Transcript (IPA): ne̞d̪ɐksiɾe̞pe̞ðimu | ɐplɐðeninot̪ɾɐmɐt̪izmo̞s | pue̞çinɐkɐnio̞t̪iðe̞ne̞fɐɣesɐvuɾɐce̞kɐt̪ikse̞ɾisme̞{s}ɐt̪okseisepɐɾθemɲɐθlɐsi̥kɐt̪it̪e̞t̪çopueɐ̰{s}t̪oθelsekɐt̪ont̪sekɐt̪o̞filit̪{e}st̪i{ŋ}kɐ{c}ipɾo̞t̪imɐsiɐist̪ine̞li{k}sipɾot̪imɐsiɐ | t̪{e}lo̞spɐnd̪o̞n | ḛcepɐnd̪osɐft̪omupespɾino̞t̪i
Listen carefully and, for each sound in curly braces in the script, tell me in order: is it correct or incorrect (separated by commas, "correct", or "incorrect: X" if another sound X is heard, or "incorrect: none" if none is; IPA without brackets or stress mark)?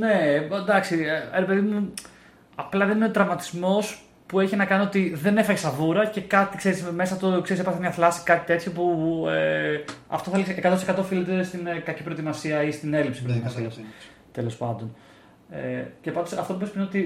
correct, incorrect: f, correct, incorrect: n, correct, incorrect: p, correct